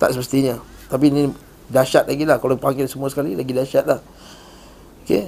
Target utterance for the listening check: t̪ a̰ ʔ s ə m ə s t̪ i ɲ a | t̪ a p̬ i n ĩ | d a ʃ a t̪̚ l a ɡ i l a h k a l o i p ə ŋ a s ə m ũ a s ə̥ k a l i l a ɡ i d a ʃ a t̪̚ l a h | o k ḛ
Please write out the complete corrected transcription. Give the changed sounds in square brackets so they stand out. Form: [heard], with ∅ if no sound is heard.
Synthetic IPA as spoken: t̪ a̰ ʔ s ə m ə s t̪ i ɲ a | t̪ a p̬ i n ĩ | d a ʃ a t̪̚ l a ɡ i l a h k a l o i p [a] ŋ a s ə m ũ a s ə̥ k a l i l a ɡ i d a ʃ a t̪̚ l a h | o k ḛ